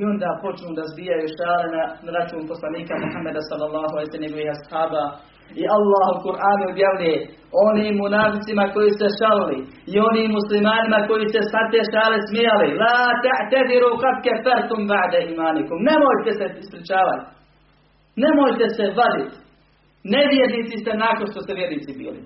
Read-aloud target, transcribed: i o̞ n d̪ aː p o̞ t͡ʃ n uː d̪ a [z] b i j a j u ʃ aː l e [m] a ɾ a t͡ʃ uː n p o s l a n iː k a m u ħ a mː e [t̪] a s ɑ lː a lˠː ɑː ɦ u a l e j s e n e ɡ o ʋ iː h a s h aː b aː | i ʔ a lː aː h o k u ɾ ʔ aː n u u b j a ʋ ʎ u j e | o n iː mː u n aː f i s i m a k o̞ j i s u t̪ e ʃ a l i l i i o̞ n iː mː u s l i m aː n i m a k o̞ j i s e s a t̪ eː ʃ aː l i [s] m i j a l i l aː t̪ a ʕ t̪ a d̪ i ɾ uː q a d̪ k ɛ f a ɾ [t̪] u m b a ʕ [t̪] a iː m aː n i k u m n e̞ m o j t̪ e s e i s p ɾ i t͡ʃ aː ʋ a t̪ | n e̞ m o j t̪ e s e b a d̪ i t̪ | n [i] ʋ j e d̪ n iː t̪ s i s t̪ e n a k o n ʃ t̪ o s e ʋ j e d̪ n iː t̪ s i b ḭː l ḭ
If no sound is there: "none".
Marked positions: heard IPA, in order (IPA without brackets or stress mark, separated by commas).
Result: z, n, d̪, s, t̪, d̪, e